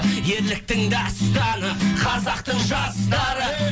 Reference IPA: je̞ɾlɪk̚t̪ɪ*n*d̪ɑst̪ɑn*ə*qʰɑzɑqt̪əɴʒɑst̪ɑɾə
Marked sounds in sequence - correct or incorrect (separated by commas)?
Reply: incorrect, correct